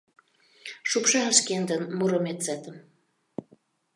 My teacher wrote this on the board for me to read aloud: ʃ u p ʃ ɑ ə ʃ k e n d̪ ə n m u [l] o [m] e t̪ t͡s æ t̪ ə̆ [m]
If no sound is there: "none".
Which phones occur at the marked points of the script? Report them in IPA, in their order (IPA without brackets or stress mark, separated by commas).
ɾ, m, m